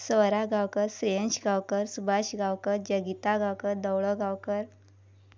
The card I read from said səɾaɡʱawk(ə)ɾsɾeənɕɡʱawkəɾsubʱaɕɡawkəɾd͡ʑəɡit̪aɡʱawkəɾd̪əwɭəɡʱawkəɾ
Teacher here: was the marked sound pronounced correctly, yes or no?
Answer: yes